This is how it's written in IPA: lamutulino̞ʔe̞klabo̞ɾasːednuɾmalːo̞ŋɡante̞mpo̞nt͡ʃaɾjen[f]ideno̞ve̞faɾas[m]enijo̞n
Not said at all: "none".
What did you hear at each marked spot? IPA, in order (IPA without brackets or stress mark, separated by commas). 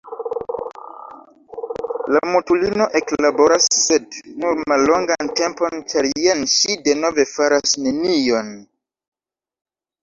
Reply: ʃ, n